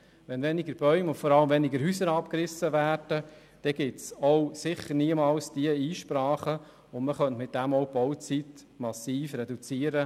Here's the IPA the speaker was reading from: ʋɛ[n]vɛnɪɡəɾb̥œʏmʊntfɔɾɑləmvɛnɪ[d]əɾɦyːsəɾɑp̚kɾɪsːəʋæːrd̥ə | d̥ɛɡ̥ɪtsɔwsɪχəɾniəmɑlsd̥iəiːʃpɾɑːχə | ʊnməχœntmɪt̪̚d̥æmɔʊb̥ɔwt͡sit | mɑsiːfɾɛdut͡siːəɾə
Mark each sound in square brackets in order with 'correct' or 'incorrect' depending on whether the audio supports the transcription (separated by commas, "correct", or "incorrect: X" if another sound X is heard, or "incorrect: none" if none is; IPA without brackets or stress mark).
correct, incorrect: ɡ